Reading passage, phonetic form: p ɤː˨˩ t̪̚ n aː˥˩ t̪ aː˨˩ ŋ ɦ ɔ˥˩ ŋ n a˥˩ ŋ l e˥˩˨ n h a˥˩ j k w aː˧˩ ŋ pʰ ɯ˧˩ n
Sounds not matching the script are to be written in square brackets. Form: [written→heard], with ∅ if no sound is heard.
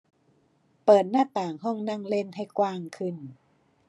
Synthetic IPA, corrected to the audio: p ɤː˨˩ t̪̚ n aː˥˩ t̪ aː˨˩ ŋ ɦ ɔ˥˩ ŋ n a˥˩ ŋ l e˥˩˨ n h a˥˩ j k w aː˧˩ ŋ [pʰ→kʰ] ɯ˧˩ n

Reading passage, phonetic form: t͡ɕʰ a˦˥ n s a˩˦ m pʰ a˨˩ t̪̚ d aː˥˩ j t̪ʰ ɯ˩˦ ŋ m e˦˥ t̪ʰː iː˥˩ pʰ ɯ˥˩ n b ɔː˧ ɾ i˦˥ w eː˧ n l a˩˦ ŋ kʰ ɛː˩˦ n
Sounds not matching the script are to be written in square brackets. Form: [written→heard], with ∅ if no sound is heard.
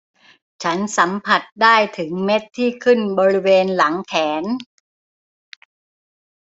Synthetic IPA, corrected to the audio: t͡ɕʰ a˦˥ n s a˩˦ m pʰ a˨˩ t̪̚ d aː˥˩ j t̪ʰ ɯ˩˦ ŋ m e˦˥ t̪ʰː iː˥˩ [pʰ→kʰ] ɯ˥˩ n b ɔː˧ ɾ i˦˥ w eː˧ n l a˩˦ ŋ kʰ ɛː˩˦ n

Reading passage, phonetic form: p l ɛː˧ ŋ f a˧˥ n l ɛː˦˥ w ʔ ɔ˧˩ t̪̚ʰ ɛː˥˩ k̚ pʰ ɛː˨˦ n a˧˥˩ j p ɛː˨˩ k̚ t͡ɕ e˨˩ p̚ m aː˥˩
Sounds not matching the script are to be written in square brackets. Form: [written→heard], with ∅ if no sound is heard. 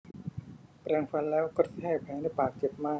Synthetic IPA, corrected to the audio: p [l→ɾ] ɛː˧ ŋ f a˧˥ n l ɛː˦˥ w [ʔ→k] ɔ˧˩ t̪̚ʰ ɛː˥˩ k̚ pʰ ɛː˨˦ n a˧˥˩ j p [ɛː˨˩→aː˨˩] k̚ t͡ɕ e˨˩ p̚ m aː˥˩

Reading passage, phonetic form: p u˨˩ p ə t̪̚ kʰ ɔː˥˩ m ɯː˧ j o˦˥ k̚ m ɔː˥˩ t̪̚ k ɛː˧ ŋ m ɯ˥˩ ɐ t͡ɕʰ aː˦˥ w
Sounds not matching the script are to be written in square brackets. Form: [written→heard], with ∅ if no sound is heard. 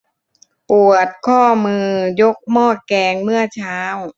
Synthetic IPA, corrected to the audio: p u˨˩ [p→∅] ə t̪̚ kʰ ɔː˥˩ m ɯː˧ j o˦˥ k̚ m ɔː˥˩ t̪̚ k ɛː˧ ŋ m ɯ˥˩ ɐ t͡ɕʰ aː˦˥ w

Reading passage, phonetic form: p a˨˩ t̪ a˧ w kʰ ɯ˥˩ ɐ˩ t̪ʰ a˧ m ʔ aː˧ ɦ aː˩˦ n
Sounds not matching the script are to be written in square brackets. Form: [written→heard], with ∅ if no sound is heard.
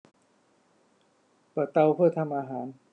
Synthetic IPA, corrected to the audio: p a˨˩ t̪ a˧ w [kʰ→pʰ] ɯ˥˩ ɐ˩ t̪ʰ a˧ m ʔ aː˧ ɦ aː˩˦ n

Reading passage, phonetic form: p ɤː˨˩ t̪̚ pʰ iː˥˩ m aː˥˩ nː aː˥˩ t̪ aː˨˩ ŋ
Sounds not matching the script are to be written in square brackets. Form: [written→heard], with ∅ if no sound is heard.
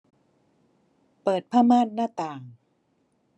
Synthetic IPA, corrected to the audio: p ɤː˨˩ t̪̚ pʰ [iː˥˩→aː˥˩] m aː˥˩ nː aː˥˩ t̪ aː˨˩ ŋ

